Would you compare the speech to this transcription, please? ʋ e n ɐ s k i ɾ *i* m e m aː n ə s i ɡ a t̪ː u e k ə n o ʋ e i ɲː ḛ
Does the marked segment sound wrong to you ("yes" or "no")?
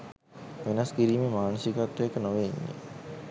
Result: yes